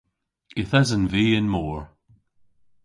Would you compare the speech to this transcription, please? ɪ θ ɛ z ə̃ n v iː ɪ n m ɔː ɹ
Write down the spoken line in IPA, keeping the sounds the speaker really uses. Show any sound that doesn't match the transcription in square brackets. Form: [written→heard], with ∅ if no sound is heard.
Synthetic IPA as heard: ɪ θ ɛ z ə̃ n v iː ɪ n m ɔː ɹ